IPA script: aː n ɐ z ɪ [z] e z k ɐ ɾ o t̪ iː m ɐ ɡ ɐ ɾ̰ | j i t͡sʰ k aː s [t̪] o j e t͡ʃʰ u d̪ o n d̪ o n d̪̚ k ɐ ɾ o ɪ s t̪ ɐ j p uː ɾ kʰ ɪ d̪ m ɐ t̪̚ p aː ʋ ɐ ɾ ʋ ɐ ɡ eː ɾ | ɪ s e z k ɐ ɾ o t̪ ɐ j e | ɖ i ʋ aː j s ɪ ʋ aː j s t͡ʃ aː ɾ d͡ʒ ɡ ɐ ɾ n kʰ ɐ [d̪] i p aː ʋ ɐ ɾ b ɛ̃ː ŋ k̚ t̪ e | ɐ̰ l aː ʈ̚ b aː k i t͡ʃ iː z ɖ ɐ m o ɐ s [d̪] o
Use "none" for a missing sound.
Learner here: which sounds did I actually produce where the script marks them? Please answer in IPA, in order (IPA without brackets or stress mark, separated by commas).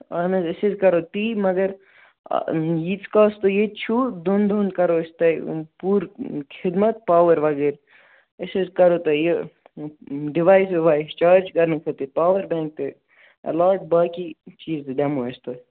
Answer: s, t̪, t̪, t̪